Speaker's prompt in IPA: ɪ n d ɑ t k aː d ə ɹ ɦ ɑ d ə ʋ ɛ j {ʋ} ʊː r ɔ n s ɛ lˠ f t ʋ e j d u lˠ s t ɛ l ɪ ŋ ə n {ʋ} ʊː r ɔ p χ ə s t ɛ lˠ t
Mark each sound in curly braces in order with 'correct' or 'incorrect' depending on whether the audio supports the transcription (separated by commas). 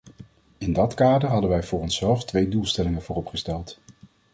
incorrect, incorrect